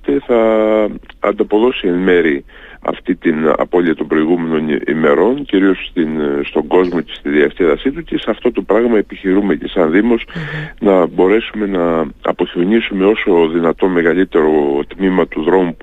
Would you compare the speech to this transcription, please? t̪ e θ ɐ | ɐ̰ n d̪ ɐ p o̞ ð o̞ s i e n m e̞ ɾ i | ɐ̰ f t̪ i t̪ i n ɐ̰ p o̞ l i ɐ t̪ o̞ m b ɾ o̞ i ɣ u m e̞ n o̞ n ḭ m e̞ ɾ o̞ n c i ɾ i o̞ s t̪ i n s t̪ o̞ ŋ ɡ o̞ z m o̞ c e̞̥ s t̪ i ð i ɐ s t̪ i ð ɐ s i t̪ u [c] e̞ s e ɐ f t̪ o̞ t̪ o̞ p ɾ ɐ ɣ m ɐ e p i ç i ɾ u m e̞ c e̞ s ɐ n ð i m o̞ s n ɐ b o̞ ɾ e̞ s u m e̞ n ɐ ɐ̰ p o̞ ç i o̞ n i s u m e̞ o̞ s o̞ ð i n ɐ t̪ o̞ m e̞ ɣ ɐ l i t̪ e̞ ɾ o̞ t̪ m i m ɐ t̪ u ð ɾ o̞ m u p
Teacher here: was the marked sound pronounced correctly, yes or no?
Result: yes